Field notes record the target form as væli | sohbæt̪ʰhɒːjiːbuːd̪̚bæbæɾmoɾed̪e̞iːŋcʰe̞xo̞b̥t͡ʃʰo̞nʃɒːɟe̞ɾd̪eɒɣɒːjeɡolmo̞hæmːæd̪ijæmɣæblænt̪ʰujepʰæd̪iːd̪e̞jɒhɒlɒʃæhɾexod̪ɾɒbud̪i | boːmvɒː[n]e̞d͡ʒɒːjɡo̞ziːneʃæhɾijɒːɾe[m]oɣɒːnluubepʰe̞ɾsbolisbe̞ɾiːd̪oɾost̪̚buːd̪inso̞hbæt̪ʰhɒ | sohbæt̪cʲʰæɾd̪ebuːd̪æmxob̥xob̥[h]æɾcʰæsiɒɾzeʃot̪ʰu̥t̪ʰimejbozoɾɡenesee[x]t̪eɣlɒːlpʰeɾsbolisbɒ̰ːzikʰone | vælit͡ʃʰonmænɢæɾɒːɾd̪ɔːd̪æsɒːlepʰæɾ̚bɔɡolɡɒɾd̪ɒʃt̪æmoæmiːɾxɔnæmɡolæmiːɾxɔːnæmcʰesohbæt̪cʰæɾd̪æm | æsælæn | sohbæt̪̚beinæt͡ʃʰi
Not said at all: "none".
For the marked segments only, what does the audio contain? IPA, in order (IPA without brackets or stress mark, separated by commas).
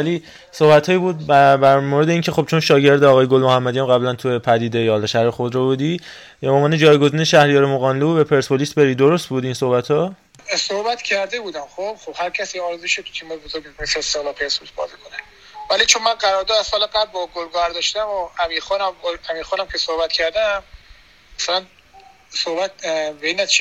n, m, h, s